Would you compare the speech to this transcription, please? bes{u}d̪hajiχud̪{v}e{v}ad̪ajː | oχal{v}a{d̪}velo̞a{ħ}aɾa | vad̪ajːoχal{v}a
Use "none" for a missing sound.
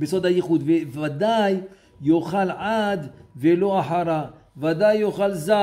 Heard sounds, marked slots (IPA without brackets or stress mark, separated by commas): o, v, v, ʕ, d̪, ħ, z